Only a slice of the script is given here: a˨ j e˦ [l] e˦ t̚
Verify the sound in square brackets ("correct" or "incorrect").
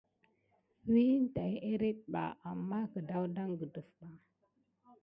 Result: incorrect